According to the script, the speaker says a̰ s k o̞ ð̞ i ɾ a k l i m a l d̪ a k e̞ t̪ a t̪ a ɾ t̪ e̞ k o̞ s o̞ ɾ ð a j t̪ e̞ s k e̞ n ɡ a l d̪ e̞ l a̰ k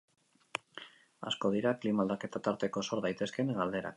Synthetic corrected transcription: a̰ s k o̞ ð̞ i ɾ a k l i m a l d̪ a k e̞ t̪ a t̪ a ɾ t̪ e̞ k o̞ s o̞ ɾ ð a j t̪ e̞ s k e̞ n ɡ a l d̪ e̞ ɾ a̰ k